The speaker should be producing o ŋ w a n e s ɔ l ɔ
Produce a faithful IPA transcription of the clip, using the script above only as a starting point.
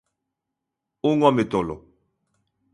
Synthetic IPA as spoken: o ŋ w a m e t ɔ l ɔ